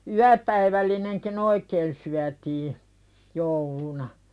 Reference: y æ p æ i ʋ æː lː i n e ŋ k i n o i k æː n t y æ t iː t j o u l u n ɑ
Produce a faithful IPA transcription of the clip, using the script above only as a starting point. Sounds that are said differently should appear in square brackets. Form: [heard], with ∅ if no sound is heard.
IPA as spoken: y æ p æ i ʋ [æ] lː i n e ŋ k i n o i k [eː] n [s] y æ t iː [∅] j o u l u n ɑ